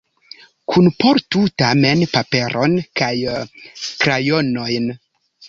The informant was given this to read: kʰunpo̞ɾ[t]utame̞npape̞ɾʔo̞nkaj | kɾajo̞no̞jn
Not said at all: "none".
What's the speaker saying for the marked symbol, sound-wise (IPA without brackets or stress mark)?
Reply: t